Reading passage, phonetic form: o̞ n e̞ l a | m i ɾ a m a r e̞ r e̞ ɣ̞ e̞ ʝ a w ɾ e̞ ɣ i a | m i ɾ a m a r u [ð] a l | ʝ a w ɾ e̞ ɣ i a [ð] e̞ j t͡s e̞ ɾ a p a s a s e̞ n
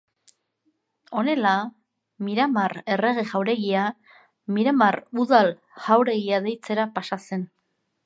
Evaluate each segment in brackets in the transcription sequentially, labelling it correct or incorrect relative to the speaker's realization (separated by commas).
correct, correct